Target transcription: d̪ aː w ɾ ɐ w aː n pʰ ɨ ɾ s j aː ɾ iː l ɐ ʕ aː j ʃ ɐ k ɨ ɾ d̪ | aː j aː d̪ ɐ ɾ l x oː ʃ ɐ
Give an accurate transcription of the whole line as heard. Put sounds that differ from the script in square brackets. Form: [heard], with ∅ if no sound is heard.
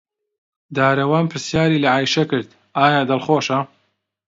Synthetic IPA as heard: d̪ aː [∅] ɾ ɐ w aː n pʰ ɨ ɾ s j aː ɾ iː l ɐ ʕ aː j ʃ ɐ k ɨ ɾ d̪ | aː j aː d̪ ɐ [∅] l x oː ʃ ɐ